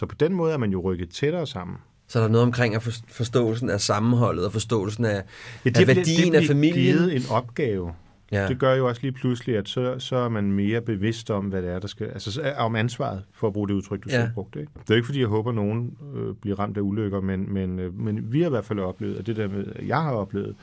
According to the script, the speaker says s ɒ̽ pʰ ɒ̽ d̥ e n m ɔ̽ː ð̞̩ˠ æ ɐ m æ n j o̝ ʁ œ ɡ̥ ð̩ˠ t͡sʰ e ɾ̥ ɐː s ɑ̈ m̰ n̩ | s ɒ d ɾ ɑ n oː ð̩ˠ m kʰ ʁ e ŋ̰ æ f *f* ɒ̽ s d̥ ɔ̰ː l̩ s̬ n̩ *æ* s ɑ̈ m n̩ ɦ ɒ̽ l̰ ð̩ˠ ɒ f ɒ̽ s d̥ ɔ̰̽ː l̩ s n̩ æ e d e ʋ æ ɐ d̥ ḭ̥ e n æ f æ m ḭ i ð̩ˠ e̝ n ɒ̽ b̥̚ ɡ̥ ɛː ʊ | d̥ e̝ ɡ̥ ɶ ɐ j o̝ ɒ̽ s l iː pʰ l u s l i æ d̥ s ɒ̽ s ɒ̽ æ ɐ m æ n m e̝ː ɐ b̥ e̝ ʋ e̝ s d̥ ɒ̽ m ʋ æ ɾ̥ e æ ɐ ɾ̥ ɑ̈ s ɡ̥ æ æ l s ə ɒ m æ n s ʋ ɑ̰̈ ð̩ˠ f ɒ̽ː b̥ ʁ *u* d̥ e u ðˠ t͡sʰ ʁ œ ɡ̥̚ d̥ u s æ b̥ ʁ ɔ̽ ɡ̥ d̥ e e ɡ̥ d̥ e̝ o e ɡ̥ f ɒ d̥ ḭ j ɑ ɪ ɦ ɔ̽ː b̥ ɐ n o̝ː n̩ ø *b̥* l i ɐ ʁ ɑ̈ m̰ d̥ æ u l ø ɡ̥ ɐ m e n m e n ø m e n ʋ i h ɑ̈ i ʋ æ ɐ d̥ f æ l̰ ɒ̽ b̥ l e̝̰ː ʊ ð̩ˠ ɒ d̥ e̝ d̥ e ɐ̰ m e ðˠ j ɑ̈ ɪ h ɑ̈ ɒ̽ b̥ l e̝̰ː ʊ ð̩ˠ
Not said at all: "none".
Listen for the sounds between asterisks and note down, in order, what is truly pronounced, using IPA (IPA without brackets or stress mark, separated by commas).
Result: f, æ, uː, b̥